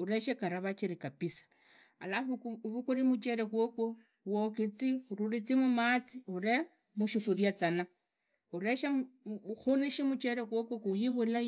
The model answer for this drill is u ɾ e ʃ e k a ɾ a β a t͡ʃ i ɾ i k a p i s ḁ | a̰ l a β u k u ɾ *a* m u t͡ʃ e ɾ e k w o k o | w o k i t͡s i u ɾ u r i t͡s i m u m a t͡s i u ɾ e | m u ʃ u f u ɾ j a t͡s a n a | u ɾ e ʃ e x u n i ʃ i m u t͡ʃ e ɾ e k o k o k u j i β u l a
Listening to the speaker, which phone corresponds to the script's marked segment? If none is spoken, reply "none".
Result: i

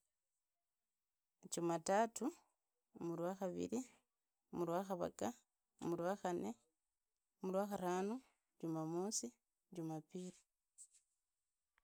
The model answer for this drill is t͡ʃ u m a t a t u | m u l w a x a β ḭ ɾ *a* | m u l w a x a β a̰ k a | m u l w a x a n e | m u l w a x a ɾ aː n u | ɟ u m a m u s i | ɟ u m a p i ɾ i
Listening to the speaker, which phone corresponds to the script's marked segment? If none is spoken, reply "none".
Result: i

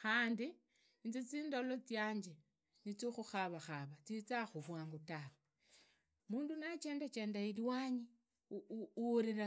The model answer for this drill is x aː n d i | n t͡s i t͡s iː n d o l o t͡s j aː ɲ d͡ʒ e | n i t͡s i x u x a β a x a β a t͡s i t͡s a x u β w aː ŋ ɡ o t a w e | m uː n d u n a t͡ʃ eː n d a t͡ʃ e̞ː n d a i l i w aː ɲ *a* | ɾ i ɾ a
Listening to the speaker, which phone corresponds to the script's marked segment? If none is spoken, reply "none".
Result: i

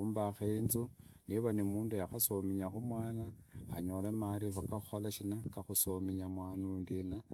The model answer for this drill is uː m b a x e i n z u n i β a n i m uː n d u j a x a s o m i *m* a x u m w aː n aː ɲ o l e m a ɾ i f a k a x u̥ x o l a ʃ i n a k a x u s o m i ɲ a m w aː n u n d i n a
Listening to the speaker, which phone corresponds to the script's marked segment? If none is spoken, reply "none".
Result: ɲ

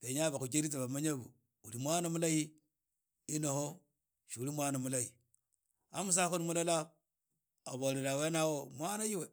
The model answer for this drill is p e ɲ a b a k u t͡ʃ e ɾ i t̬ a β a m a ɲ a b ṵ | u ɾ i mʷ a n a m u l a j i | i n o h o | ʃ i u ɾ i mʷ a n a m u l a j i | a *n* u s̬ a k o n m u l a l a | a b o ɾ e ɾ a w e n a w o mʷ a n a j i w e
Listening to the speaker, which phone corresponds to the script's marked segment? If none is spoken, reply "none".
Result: m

